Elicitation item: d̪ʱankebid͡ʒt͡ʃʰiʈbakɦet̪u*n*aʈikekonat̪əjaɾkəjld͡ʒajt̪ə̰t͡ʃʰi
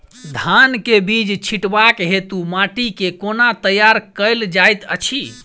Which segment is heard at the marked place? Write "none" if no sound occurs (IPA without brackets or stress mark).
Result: m